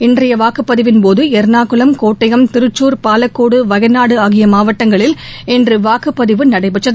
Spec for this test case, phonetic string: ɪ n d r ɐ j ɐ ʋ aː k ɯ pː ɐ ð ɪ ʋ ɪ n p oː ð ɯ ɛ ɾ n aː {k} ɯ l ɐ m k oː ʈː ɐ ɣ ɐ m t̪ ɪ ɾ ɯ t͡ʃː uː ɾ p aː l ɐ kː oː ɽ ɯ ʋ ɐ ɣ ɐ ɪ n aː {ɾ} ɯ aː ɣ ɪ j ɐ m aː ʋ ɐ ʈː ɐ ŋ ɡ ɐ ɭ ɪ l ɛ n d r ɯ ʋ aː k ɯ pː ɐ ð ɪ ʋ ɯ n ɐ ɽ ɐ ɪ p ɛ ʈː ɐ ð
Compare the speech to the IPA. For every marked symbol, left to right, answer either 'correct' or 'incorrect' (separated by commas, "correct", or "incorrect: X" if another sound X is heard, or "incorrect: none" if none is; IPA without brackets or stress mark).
correct, incorrect: ɽ